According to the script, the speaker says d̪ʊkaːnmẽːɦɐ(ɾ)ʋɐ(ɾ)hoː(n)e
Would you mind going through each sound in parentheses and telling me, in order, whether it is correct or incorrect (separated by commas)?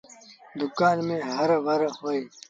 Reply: correct, correct, incorrect